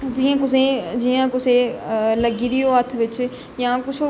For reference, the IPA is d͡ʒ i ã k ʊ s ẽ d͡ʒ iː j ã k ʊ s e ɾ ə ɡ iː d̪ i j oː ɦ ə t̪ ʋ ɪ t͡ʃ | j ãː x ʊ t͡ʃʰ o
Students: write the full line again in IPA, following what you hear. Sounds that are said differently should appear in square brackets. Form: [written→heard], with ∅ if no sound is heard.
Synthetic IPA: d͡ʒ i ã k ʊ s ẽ d͡ʒ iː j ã k ʊ s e [ɾ→l] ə ɡ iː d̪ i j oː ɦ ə [t̪→t̪ʰ] ʋ ɪ t͡ʃ | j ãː [x→k] ʊ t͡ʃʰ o